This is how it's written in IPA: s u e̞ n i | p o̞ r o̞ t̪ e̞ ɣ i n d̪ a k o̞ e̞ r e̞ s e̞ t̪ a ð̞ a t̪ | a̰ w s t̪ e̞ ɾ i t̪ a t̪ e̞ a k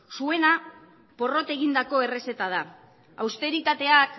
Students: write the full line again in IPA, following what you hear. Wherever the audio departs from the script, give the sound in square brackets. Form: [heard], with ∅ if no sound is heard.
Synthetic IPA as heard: s u e̞ n [a] | p o̞ r o̞ t̪ e̞ ɣ i n d̪ a k o̞ e̞ r e̞ s e̞ t̪ a ð̞ a [∅] | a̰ w s t̪ e̞ ɾ i t̪ a t̪ e̞ a k